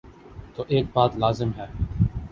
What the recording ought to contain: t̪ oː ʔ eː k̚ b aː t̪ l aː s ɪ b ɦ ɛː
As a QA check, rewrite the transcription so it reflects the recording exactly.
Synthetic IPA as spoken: t̪ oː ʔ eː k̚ b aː t̪ l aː z ɪ m ɦ ɛː